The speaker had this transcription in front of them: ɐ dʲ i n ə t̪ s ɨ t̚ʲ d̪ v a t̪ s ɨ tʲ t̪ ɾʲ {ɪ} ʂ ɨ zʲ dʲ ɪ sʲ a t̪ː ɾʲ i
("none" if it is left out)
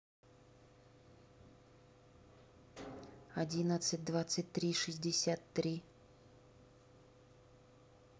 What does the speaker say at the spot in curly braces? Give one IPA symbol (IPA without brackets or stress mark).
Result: i